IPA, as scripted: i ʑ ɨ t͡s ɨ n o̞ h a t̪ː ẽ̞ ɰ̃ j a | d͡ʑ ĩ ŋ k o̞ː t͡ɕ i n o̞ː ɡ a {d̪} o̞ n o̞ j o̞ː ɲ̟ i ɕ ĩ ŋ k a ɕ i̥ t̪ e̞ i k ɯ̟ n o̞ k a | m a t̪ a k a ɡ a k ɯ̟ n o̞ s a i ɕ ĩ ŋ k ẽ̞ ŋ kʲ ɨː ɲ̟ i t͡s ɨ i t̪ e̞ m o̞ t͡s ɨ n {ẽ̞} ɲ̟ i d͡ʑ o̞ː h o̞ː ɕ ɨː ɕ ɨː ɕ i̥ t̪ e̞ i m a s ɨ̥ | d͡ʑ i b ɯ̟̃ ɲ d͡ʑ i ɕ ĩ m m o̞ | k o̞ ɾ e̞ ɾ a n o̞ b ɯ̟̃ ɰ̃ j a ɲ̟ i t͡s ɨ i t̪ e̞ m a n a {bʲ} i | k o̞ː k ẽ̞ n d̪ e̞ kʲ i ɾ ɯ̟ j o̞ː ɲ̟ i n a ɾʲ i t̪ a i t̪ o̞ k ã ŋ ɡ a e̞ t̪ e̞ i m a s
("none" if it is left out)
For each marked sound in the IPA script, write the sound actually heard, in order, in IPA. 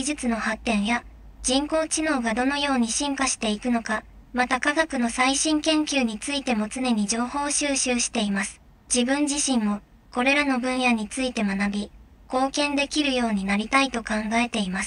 d̪, e̞, bʲ

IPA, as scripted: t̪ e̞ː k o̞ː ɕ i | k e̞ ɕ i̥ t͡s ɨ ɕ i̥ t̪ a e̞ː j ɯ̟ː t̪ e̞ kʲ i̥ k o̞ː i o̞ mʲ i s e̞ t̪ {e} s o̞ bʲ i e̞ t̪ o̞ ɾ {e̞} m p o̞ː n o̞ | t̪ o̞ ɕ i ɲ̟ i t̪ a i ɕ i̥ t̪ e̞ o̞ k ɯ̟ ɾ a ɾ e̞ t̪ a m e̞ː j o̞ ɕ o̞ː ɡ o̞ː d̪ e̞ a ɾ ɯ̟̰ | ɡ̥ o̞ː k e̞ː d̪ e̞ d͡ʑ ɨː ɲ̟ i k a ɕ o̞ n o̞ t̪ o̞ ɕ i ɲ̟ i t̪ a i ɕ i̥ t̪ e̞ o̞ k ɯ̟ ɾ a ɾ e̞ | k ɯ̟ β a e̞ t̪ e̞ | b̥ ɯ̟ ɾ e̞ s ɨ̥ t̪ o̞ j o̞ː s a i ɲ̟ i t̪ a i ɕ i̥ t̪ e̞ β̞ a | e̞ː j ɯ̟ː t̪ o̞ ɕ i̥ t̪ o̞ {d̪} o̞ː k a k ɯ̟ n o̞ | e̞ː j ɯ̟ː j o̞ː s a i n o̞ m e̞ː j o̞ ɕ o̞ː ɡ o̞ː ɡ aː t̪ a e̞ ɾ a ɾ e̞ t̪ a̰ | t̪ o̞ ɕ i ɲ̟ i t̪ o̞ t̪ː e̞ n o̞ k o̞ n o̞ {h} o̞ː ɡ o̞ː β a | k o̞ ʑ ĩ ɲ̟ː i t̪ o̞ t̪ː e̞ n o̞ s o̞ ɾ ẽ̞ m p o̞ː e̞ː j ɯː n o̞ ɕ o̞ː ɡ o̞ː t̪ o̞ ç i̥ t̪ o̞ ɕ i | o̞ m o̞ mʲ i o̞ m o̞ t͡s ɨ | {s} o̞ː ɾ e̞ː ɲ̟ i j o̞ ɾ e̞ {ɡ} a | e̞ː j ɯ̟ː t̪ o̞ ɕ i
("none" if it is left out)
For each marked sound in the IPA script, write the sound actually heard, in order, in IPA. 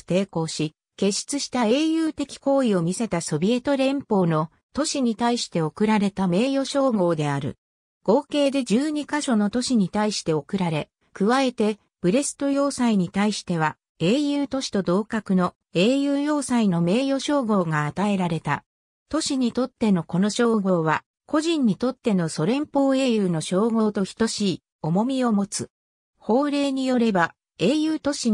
a, ẽ̞, d̪, ɕ, h, b

